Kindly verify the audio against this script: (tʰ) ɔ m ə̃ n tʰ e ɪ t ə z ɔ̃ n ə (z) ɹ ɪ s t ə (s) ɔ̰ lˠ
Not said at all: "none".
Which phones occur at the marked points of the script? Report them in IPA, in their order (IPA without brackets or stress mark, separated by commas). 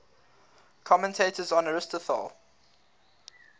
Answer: kʰ, none, θ